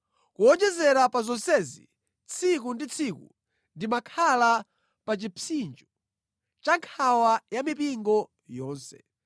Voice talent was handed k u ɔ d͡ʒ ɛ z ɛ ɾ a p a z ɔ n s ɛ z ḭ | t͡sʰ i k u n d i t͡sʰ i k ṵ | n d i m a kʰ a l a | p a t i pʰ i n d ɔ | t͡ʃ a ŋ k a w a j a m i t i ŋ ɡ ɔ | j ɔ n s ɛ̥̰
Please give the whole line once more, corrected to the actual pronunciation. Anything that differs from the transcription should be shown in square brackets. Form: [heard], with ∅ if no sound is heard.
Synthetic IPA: k u ɔ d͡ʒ ɛ z ɛ ɾ a p a z ɔ n s ɛ z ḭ | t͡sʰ i k u n d i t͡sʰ i k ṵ | n d i m a kʰ a l a | p a [t͡ʃ] i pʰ i n [d͡ʒ] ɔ | t͡ʃ a ŋ [kʰ] a w a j a m i [p] i ŋ ɡ ɔ | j [ɔː] n s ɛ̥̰